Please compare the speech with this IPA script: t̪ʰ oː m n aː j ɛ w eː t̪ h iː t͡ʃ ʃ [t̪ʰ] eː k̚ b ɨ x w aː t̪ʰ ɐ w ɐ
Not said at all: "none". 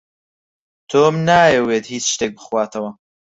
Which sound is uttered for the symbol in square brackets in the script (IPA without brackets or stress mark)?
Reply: t̪